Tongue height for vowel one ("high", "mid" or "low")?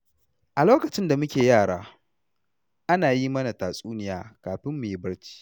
low